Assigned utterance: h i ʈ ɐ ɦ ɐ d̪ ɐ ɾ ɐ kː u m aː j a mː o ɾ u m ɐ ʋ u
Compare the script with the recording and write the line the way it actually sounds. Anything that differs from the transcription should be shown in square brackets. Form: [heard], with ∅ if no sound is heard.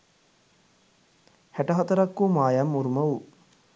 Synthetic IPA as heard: h [æ] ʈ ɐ ɦ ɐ [t̪] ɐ ɾ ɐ kː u m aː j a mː [u] ɾ u m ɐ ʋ u